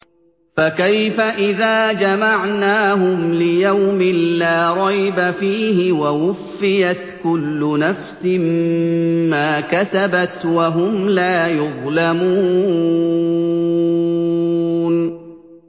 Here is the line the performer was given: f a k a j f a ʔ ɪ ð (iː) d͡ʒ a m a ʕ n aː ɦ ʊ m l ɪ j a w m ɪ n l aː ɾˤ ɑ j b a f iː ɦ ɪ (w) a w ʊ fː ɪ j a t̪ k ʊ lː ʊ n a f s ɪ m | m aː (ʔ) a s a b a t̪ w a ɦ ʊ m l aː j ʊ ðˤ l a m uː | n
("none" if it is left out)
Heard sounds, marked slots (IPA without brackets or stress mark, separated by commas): aː, w, k